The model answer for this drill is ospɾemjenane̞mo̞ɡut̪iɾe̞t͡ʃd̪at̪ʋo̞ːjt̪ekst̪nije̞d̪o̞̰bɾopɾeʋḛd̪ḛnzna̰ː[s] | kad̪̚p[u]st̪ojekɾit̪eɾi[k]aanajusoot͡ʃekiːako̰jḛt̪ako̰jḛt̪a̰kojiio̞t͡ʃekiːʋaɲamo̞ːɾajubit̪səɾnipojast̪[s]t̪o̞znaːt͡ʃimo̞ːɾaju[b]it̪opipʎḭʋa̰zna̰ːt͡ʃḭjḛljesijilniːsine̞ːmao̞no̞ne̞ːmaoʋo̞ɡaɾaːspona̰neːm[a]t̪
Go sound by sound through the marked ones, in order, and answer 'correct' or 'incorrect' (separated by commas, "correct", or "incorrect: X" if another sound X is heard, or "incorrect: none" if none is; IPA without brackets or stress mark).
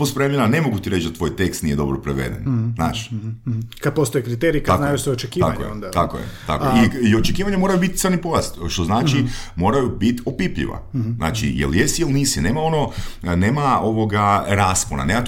incorrect: ʃ, incorrect: o, correct, incorrect: ʃ, correct, correct